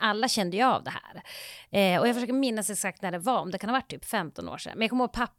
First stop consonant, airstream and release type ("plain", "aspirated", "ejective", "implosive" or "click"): plain